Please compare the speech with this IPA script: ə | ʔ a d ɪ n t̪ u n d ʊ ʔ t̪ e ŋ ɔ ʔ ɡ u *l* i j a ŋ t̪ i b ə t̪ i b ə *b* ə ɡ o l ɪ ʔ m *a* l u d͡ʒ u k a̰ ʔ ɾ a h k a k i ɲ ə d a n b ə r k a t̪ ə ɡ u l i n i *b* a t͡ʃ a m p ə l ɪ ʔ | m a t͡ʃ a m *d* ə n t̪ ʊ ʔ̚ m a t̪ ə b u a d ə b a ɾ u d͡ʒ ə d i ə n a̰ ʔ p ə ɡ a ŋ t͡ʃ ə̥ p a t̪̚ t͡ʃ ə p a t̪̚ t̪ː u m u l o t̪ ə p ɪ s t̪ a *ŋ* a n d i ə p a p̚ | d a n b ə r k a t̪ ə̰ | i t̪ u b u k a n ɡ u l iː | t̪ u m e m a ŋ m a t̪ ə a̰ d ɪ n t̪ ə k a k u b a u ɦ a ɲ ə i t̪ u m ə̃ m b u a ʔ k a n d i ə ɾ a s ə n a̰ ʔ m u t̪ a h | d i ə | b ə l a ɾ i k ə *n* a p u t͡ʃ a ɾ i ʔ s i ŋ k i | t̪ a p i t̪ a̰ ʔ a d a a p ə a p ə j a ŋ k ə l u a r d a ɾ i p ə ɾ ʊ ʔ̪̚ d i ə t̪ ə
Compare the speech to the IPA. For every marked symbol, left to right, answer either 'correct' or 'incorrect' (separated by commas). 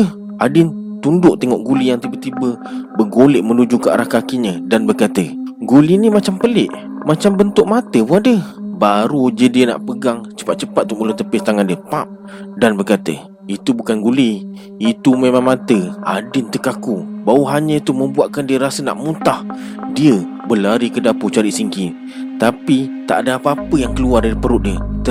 correct, correct, incorrect, incorrect, incorrect, correct, incorrect